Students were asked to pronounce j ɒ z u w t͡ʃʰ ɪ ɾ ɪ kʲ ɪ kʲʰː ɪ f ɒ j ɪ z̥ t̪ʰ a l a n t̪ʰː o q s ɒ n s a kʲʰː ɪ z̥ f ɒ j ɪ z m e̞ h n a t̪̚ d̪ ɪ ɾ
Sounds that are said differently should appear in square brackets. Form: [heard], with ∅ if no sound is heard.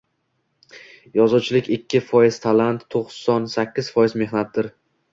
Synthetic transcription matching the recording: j ɒ z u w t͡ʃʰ ɪ [l] ɪ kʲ ɪ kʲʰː ɪ f ɒ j ɪ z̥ t̪ʰ a l a n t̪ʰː o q s ɒ n s a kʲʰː ɪ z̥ f ɒ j ɪ z m e̞ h n a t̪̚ d̪ ɪ ɾ